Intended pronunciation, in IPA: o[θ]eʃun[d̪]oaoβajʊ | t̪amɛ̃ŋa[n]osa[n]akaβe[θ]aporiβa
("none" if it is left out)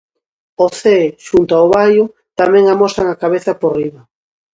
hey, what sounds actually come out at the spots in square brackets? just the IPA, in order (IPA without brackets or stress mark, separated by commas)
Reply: θ, t̪, m, ŋ, θ